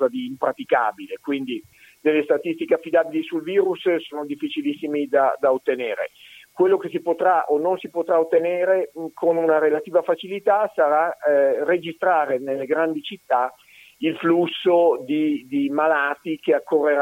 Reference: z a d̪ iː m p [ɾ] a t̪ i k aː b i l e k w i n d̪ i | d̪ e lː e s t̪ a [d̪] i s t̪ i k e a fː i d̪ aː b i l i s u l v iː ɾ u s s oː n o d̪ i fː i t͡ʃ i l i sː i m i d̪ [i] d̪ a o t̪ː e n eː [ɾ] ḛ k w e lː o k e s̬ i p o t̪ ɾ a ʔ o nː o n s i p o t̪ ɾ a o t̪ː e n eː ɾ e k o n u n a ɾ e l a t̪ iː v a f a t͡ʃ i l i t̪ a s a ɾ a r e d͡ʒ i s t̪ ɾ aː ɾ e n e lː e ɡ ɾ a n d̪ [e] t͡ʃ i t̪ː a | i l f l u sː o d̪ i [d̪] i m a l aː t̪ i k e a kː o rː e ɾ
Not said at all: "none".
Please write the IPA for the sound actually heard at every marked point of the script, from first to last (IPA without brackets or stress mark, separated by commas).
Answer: ɾ, t̪, a, ɾ, i, d̪